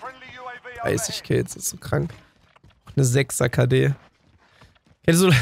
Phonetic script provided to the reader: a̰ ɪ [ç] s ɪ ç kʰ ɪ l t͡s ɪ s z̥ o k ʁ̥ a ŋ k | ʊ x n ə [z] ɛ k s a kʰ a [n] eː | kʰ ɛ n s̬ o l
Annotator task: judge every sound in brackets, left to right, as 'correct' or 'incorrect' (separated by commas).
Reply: incorrect, correct, incorrect